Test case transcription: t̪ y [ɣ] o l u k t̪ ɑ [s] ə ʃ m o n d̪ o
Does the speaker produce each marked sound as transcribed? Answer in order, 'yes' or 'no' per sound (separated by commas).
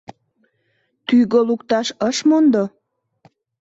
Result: yes, no